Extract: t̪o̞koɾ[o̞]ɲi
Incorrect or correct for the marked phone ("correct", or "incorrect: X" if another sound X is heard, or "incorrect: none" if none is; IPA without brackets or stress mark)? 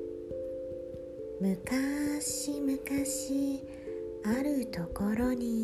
correct